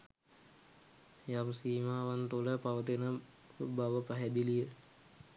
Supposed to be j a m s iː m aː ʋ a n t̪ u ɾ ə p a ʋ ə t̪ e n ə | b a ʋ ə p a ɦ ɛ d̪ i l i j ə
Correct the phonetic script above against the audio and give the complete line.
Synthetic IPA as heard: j a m s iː m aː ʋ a n t̪ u l ə p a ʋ ə t̪ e n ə | b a ʋ ə p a ɦ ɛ d̪ i l i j ə